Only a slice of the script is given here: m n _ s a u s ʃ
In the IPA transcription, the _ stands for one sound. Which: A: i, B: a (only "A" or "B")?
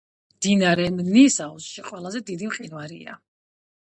A